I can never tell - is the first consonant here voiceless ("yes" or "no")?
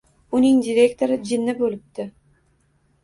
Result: no